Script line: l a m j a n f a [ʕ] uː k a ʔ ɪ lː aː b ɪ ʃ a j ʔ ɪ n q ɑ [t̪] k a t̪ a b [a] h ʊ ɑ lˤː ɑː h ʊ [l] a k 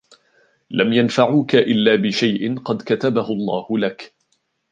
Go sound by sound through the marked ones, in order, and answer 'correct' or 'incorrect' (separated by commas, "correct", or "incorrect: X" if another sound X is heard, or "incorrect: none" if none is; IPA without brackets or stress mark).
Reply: correct, incorrect: d̪, correct, correct